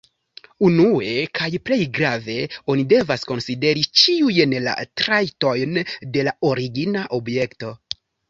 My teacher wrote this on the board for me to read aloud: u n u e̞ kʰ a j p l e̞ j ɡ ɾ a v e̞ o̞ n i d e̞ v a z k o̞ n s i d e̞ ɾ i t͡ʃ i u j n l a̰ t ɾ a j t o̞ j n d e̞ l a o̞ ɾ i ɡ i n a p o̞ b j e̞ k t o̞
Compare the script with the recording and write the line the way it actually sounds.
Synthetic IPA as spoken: u n u e̞ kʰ a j p l e̞ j ɡ ɾ a v e̞ o̞ n i d e̞ v a s k o̞ n s i d e̞ ɾ i t͡ʃ i u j n l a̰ t ɾ a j t o̞ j n d e̞ l a o̞ ɾ i ɡ i n a ʔ o̞ b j e̞ k t o̞